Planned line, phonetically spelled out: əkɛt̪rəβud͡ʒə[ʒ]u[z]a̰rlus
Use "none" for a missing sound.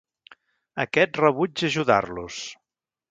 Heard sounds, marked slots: ʒ, ð

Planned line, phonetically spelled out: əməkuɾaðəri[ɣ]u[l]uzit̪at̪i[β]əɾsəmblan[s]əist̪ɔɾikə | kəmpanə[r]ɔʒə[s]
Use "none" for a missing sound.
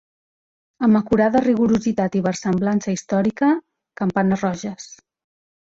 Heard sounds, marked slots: ɣ, ɾ, β, s, r, s

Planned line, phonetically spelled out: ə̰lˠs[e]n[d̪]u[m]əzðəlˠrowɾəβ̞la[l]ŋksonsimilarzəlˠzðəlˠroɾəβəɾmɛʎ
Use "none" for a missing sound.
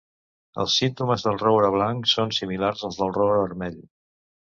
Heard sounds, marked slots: i, t̪, m, none

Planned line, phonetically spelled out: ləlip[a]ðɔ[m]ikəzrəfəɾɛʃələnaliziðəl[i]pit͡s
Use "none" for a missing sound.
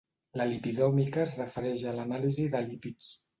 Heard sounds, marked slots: i, m, i

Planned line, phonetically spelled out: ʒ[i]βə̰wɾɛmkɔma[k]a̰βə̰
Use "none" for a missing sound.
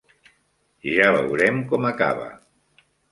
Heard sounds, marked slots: a, k

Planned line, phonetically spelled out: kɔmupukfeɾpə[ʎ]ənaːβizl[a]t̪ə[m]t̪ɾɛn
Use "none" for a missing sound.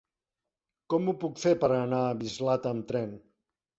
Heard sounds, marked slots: ɾ, a, m

